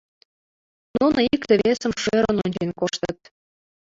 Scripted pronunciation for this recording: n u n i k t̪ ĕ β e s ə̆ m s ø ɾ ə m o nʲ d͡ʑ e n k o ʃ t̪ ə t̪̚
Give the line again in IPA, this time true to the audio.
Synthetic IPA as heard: n u n i k t̪ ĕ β e s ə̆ m ʃ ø ɾ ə n o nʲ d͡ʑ e n k o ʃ t̪ ə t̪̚